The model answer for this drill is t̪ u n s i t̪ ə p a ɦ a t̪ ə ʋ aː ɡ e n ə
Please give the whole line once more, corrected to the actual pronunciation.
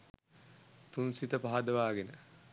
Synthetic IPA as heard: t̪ u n s i t̪ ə p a ɦ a d̪ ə ʋ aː ɡ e n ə